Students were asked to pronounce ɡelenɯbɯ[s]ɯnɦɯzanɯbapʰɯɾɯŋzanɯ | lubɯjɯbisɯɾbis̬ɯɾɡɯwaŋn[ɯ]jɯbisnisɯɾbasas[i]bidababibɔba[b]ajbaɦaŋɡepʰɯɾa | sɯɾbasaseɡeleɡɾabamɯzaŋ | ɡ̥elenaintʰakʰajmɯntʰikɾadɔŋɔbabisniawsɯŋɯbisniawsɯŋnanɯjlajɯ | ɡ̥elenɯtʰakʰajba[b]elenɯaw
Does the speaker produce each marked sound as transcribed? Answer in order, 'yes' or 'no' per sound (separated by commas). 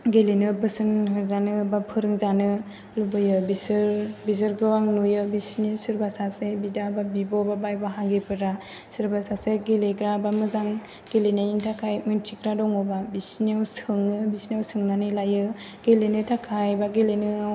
yes, no, no, yes, no